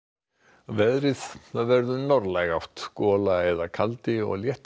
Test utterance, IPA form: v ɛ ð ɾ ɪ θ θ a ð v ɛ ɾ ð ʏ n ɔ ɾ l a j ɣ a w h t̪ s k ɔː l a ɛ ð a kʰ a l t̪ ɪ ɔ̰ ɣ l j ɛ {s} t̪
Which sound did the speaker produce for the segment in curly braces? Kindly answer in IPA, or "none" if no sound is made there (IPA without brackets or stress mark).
h